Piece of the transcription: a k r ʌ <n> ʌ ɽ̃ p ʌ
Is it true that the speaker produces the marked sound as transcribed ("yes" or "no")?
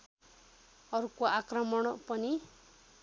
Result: no